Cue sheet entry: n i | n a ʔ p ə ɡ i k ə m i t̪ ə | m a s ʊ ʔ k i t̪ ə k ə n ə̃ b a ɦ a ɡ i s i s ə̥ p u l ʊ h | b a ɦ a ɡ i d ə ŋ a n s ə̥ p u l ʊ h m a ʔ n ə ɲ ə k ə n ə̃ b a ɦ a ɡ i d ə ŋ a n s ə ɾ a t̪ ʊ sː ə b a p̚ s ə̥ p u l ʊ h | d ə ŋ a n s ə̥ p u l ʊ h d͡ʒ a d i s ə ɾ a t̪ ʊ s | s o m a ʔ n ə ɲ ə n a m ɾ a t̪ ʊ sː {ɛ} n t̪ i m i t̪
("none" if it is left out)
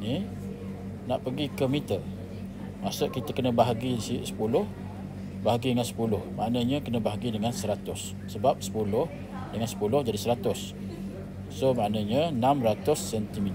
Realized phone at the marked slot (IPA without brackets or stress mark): ɛ